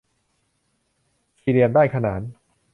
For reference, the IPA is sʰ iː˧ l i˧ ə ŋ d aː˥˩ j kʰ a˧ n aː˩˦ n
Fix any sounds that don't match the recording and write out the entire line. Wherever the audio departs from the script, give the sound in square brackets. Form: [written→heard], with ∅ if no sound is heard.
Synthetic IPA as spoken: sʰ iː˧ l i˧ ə [ŋ→n] d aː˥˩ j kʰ a˧ n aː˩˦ n